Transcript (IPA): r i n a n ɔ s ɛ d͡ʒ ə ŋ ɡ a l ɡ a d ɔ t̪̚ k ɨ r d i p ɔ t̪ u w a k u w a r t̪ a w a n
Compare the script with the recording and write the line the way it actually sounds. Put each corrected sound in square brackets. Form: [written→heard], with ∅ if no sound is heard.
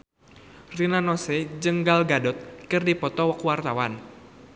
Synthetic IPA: r i n a n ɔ s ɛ d͡ʒ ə ŋ ɡ a l ɡ a d ɔ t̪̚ k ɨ r d i p ɔ t̪ [u→ɔ] w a k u w a r t̪ a w a n